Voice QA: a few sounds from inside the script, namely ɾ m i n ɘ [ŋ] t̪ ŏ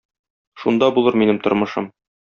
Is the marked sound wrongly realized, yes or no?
yes